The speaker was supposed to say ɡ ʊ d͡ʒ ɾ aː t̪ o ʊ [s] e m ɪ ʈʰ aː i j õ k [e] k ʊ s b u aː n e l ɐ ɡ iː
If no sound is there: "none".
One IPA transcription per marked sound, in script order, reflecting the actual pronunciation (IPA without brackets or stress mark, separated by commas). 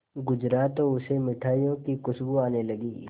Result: s, i